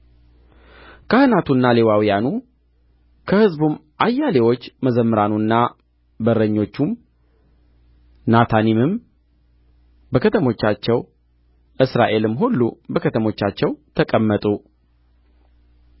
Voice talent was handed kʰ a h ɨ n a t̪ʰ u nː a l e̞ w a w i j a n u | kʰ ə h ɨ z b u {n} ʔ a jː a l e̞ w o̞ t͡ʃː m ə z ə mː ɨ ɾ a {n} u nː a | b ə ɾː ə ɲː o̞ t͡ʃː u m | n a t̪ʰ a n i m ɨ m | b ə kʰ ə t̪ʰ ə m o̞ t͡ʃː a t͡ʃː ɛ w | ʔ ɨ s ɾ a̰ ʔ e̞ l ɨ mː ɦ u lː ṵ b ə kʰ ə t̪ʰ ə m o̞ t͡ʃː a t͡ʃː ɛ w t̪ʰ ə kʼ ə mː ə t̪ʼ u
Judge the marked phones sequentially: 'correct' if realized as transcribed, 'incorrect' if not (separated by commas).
incorrect, correct